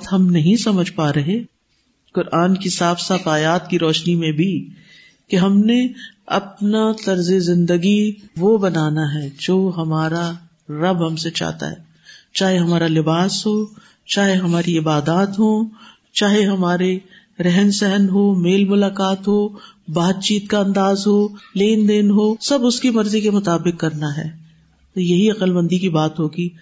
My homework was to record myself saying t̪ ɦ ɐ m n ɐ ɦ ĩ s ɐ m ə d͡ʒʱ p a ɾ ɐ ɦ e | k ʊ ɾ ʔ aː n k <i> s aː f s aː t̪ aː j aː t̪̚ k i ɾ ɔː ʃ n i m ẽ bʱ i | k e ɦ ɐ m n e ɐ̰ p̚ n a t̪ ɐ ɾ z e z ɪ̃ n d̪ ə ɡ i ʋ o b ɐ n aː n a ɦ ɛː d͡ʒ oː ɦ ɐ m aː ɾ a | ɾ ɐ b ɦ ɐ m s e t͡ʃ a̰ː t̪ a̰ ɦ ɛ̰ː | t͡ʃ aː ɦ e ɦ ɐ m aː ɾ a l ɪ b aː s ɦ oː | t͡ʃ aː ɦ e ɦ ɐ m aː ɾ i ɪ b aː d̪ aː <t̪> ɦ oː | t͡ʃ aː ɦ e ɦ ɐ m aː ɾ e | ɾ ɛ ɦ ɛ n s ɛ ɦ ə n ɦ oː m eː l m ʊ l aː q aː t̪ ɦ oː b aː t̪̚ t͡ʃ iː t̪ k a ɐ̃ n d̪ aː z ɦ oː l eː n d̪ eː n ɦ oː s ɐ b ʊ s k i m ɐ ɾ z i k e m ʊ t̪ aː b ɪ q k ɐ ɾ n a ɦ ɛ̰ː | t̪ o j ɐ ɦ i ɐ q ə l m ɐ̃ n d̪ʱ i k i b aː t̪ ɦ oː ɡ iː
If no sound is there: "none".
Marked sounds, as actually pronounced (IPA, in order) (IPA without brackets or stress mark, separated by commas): i, t̪